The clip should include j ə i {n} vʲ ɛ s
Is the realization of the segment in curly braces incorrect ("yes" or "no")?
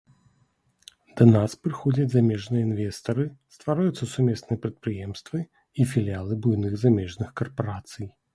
no